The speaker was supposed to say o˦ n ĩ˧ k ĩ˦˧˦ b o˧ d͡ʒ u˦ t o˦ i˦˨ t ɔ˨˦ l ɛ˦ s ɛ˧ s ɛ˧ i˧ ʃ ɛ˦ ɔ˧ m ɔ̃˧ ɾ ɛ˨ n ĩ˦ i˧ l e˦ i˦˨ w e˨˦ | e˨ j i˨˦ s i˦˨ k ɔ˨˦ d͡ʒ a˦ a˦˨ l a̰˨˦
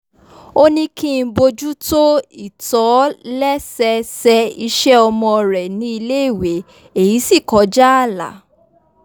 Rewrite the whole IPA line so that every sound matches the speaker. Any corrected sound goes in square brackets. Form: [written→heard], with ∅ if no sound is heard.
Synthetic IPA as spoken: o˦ n ĩ˧ k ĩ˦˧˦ b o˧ d͡ʒ u˦ t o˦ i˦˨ t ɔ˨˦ l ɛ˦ s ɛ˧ s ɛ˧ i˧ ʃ ɛ˦ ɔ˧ m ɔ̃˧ ɾ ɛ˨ n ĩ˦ i˧ l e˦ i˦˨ w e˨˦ | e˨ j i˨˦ s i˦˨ k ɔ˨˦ d͡ʒ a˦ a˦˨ l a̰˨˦